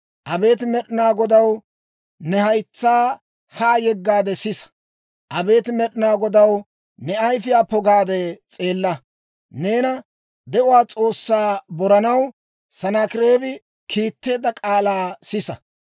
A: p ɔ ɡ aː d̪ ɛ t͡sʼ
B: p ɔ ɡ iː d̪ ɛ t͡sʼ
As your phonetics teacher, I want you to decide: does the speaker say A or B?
A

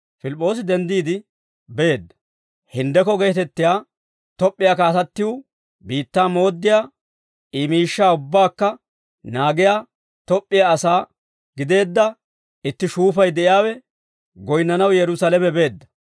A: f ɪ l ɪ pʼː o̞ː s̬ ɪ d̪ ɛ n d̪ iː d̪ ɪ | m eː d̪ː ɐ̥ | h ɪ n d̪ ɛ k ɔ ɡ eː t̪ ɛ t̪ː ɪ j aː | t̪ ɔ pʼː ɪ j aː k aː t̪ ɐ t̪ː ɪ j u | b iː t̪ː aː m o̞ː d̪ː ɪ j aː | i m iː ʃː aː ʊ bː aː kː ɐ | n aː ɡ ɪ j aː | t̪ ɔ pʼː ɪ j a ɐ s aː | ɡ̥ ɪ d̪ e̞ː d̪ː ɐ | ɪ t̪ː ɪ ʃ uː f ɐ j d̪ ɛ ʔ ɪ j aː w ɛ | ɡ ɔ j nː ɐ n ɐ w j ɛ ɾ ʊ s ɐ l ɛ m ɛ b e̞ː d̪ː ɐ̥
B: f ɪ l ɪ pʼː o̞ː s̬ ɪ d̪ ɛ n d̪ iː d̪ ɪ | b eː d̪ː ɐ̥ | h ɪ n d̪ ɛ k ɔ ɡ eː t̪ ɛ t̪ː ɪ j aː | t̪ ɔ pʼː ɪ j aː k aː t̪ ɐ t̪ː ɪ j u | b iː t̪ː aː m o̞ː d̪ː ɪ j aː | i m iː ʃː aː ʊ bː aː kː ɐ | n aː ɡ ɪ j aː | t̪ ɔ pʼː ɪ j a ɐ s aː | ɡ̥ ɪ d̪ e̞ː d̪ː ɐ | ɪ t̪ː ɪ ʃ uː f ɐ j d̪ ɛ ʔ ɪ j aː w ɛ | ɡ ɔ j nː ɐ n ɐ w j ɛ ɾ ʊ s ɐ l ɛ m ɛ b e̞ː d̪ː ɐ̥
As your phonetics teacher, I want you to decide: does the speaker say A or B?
B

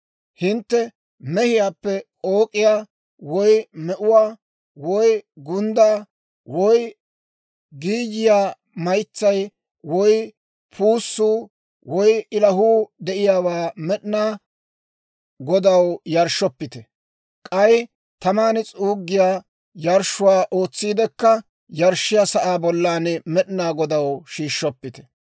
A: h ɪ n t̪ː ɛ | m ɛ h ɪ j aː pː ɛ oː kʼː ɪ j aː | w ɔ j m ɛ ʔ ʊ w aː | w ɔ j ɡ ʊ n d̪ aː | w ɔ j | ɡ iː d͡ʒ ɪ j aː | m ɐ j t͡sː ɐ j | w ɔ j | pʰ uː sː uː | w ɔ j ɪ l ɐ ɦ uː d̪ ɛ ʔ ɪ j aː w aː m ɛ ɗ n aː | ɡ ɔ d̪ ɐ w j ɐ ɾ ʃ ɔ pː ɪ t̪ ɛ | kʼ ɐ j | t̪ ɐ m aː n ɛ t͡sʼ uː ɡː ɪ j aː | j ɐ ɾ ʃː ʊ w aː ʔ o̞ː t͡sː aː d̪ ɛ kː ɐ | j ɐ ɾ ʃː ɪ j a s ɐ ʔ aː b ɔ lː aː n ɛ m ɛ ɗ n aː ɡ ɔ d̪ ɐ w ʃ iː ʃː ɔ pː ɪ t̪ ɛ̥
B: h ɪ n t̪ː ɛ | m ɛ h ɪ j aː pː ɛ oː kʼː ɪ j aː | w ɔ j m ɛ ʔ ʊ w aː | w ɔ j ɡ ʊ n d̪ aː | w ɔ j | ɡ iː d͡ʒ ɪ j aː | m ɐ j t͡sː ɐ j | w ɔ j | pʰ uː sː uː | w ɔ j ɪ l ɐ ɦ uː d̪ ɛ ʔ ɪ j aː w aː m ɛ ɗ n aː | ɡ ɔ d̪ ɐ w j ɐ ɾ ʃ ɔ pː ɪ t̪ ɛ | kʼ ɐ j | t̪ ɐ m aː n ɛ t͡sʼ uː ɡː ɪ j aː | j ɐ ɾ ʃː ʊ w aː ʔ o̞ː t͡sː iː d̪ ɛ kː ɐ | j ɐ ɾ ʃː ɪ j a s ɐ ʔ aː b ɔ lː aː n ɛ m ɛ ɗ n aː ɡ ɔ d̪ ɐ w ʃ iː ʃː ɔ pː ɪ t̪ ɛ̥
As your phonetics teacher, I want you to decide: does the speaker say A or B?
B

